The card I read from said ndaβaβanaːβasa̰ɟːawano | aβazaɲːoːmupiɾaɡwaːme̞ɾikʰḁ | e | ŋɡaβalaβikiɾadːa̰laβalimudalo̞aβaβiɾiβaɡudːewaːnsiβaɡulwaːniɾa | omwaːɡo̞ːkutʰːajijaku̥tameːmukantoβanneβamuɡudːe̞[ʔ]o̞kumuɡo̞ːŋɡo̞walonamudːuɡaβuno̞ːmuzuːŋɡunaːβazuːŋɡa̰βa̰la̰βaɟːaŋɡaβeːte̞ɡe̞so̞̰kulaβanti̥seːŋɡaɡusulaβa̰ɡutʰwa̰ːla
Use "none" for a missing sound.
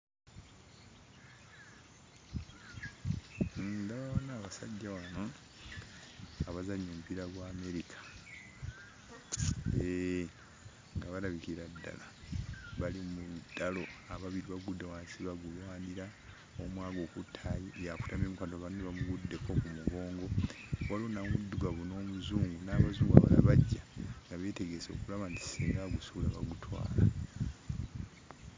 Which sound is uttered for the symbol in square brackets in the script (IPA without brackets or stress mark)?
k